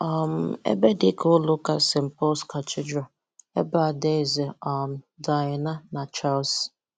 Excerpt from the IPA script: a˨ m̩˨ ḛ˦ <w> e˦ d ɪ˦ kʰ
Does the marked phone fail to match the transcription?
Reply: yes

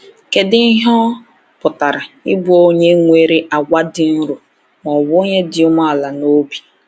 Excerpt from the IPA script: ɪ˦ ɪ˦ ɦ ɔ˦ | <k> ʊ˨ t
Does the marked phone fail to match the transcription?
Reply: yes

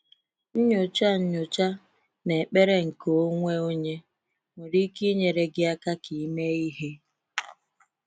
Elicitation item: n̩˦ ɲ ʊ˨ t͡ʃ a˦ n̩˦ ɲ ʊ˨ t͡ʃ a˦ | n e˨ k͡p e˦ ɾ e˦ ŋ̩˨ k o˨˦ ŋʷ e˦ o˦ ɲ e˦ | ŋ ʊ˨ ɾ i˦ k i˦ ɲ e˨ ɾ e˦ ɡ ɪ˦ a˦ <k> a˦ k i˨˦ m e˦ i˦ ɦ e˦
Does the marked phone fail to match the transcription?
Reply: no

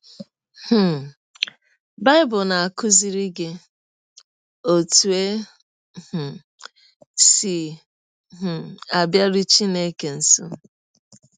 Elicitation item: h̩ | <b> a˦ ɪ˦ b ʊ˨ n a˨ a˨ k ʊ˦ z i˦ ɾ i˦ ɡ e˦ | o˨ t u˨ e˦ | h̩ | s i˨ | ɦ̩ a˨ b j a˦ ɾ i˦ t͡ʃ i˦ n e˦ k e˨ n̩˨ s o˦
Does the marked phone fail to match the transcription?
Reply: no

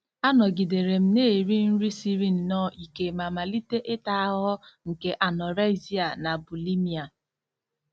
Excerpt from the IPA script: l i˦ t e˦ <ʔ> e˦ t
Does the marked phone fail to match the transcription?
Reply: no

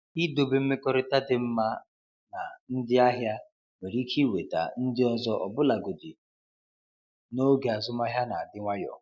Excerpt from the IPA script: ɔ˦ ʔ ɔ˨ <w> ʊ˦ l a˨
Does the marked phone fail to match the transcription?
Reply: yes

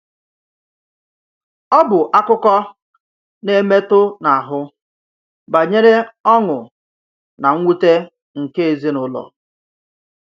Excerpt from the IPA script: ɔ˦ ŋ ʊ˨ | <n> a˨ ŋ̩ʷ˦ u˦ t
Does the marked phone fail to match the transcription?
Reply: no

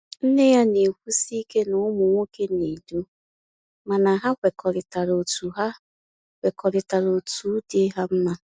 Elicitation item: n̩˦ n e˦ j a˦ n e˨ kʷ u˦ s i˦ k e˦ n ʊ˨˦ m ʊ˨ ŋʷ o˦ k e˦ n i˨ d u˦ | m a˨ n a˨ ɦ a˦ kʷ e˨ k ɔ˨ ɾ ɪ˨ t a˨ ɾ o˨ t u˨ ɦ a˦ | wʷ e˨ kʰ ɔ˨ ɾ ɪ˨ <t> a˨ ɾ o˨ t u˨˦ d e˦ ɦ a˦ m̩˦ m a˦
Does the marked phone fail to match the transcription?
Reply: no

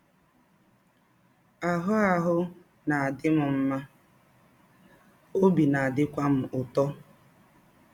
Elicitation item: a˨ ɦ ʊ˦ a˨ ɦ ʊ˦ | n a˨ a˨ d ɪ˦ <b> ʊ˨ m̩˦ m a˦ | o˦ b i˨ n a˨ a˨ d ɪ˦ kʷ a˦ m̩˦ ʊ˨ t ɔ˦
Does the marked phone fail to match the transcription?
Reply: yes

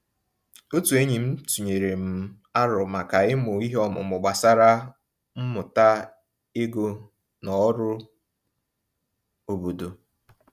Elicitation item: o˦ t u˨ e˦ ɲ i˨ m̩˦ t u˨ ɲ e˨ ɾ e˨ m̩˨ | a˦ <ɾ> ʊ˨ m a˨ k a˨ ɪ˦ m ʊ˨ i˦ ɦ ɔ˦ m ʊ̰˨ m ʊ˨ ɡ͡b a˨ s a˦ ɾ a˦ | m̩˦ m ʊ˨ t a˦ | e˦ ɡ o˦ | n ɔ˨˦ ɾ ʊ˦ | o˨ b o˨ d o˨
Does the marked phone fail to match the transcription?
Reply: no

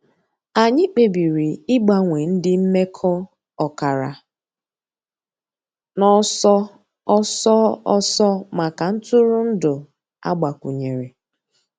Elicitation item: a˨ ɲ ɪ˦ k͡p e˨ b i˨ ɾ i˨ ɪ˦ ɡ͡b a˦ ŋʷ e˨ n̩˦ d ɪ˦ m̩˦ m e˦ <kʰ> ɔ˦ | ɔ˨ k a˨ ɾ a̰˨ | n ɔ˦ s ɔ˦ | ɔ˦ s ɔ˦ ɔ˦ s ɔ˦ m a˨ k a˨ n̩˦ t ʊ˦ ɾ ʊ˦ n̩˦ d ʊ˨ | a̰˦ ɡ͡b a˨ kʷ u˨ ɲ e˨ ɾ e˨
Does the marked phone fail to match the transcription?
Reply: no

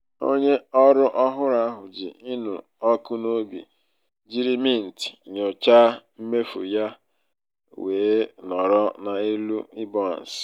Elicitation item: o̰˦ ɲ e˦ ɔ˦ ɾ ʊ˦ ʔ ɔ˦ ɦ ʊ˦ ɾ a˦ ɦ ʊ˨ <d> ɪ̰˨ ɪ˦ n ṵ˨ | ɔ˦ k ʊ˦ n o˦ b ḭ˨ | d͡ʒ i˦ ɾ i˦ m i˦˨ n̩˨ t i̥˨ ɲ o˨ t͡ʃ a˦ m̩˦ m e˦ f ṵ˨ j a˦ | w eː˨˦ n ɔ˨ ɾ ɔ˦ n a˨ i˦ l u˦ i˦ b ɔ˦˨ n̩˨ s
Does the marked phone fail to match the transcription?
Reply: yes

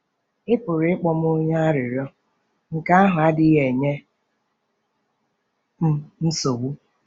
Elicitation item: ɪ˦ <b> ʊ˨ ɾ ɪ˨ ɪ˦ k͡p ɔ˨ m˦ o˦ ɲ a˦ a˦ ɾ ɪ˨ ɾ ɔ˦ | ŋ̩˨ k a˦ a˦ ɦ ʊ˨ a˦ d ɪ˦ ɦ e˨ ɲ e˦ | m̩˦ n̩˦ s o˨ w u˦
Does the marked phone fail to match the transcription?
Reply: yes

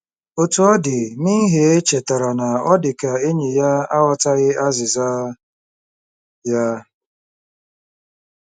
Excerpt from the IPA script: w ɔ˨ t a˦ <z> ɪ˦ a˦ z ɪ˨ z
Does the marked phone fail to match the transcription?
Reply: yes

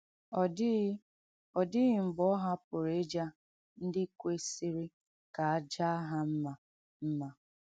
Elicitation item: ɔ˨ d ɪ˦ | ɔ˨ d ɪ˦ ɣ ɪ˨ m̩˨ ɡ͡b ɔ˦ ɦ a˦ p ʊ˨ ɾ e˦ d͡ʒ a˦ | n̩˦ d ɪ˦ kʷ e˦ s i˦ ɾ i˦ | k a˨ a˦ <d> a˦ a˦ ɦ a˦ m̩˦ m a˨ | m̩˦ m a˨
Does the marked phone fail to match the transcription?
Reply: yes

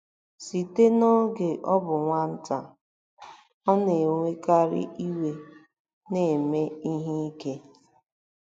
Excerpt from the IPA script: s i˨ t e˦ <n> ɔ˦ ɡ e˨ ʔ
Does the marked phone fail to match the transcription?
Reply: no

